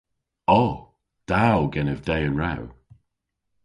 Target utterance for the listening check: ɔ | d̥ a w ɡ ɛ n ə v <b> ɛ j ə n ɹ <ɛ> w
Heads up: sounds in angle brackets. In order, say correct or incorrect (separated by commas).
incorrect, incorrect